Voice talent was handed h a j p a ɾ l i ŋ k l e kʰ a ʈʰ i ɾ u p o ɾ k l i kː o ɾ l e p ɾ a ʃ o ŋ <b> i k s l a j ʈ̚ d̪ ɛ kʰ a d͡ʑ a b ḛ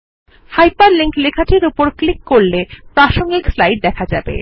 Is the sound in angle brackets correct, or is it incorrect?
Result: incorrect